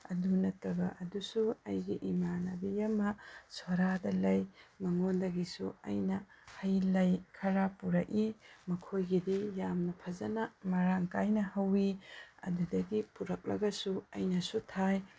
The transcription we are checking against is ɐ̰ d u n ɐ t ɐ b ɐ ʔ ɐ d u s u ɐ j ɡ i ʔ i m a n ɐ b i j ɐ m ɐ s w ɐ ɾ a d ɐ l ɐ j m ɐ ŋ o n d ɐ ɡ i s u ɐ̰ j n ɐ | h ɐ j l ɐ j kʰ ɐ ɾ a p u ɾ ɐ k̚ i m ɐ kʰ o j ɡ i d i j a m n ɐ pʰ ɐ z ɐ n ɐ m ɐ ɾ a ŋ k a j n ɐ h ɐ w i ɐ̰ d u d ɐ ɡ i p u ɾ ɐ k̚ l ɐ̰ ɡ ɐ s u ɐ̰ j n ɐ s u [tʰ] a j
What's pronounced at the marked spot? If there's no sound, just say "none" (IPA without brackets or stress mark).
tʰ